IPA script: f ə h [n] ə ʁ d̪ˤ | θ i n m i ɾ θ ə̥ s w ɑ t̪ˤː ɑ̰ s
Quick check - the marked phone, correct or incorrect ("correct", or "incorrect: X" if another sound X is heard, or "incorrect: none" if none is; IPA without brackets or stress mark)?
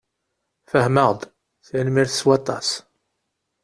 incorrect: m